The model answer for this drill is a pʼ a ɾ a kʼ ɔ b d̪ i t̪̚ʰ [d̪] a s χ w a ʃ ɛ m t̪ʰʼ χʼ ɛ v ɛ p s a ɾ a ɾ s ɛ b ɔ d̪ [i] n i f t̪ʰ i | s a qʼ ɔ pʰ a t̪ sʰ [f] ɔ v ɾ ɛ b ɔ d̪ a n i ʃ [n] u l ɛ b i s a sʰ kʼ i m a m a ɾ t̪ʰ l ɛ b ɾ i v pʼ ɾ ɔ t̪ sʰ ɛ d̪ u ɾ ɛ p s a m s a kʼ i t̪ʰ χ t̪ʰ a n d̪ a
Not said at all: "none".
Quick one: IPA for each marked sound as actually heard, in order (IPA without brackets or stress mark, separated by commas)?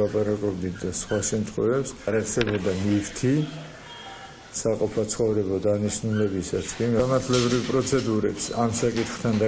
d̪, a, χ, n